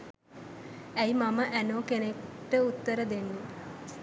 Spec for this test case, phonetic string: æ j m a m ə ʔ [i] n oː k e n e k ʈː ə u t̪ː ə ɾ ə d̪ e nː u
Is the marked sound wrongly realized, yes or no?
yes